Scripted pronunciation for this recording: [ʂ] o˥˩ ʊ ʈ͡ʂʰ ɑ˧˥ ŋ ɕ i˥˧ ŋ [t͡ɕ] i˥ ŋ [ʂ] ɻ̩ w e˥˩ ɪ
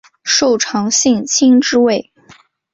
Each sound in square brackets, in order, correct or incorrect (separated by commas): correct, incorrect, incorrect